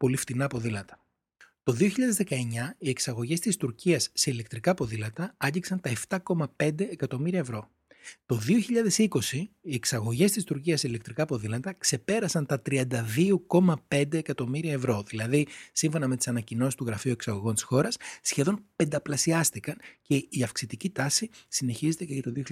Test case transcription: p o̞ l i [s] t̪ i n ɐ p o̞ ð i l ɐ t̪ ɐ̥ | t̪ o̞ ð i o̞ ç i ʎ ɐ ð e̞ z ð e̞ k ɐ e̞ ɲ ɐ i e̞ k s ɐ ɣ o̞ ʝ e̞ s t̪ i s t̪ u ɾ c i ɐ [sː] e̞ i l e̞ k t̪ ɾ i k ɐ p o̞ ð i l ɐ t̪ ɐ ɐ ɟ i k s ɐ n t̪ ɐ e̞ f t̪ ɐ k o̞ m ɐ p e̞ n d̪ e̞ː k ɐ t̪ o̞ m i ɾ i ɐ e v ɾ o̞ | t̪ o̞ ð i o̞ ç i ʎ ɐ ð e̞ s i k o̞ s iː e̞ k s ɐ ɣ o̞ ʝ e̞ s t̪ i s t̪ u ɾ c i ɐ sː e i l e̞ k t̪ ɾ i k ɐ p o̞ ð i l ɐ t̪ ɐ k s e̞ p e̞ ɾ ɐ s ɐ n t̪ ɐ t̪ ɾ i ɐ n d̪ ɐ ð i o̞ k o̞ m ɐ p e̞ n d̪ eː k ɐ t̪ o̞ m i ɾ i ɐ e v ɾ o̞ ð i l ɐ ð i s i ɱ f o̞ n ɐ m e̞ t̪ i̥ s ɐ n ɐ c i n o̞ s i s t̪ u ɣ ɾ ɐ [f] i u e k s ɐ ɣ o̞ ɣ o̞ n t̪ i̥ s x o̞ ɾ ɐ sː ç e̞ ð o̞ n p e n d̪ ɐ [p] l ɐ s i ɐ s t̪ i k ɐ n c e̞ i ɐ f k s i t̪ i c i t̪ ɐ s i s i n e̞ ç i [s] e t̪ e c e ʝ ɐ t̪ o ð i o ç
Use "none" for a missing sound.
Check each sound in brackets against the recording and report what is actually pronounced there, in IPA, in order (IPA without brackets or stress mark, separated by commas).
f, sː, f, p, z